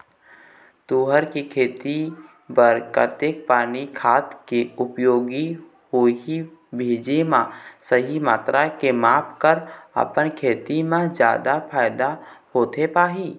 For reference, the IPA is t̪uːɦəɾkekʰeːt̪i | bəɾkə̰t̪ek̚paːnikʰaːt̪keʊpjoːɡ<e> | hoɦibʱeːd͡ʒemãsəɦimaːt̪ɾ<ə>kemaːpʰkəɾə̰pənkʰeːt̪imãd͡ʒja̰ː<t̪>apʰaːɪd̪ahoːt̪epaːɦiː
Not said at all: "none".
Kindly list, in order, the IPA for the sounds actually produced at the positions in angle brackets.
i, a, d̪

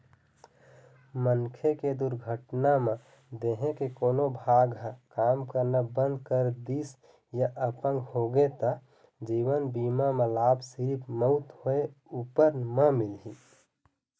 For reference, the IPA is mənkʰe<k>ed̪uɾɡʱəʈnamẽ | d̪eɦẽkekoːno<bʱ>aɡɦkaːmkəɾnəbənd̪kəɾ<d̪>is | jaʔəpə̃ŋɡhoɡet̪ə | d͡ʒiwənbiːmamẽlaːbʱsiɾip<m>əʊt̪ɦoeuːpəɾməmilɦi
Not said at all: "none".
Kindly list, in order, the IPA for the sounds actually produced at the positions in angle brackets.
k, bʱ, d̪, m

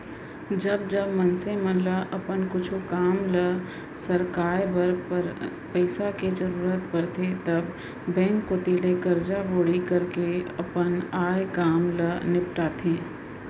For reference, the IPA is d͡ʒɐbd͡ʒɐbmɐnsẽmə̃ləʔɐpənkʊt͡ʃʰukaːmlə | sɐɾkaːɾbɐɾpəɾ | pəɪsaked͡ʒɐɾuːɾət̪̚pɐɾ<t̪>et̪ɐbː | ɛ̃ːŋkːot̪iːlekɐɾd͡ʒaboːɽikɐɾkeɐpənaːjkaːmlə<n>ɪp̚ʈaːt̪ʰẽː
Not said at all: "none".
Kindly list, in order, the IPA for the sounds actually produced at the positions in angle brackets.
t̪ʰ, n

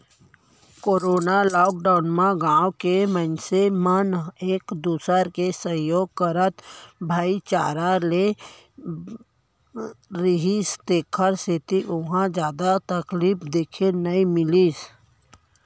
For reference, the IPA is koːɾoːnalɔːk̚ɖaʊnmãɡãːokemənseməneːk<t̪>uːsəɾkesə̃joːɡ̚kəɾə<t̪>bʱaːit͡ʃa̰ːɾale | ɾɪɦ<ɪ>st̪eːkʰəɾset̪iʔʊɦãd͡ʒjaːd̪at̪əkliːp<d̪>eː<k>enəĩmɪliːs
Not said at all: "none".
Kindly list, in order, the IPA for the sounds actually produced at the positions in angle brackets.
d̪, t̪, i, d̪, kʰ

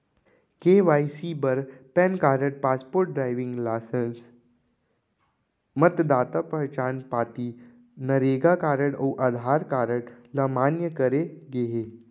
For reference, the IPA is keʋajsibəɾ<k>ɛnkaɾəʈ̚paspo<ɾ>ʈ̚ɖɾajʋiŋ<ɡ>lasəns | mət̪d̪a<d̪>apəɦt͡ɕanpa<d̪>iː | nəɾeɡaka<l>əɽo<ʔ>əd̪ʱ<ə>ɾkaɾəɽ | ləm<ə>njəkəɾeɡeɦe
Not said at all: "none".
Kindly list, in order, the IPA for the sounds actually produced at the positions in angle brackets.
p, ɾ, ɡ, t̪, t̪, ɾ, ʔ, a, a

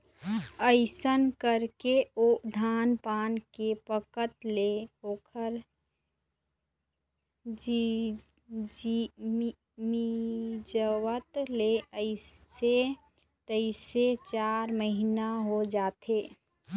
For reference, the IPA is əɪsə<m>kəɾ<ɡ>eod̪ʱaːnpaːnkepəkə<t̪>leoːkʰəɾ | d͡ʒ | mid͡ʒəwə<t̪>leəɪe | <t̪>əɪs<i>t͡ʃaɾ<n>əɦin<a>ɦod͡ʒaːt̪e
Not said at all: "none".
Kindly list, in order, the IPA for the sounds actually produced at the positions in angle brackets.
n, k, t̪, t̪, t̪, e, m, a

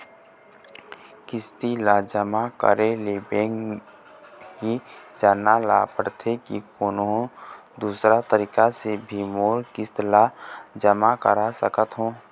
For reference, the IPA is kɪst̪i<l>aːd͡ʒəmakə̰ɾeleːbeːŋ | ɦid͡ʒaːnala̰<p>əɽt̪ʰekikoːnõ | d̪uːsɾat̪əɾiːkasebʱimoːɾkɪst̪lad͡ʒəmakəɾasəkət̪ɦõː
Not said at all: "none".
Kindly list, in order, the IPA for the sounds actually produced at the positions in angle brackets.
l, p

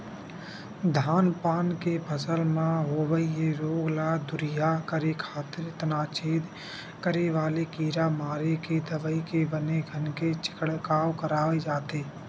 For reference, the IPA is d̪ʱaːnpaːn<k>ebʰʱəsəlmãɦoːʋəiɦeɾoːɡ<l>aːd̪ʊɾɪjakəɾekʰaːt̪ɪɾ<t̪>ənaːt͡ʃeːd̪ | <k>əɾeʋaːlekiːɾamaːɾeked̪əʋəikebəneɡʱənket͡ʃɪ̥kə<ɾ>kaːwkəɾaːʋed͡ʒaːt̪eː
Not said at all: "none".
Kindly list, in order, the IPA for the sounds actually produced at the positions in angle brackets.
k, l, t̪, k, ɽ

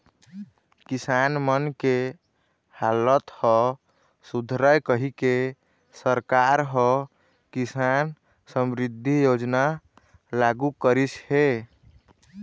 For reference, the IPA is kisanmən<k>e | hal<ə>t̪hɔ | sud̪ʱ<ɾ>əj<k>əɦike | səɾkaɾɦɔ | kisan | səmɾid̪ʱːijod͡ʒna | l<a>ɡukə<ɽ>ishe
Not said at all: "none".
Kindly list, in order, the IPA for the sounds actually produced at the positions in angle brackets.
k, ə, ɾ, k, a, ɾ

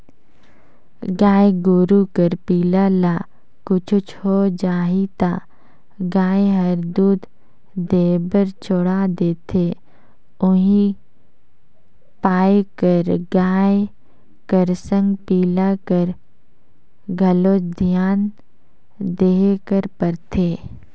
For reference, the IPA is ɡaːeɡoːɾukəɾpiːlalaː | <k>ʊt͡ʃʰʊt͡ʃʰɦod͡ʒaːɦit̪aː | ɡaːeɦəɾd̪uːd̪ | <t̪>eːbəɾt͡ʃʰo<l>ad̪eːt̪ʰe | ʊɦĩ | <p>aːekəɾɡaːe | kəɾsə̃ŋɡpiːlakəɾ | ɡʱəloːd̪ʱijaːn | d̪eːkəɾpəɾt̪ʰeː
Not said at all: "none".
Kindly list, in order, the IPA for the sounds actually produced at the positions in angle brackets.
k, d̪, ɽ, p

